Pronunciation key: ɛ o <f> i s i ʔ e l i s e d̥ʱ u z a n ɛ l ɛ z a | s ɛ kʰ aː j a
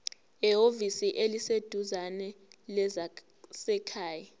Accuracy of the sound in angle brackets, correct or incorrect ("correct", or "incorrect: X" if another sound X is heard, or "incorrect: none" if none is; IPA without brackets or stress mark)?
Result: incorrect: v